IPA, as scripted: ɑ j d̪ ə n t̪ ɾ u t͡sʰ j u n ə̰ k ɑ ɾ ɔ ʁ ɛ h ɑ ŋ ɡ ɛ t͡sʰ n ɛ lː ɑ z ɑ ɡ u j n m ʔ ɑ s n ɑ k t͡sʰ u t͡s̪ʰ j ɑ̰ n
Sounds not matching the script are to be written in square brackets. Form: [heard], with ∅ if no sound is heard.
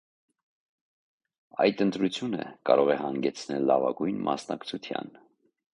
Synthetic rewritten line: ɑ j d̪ ə n t̪ ɾ u t͡sʰ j u n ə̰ k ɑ ɾ ɔ ʁ ɛ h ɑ ŋ ɡ ɛ t͡sʰ n ɛ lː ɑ [v] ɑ ɡ u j n m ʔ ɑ s n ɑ k t͡sʰ u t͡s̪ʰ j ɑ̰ n